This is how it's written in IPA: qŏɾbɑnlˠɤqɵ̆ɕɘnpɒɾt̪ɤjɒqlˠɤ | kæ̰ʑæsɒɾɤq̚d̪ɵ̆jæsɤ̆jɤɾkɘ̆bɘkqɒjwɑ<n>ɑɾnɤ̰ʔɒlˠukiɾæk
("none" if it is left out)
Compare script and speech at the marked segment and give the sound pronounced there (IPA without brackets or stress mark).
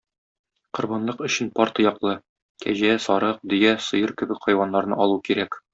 nː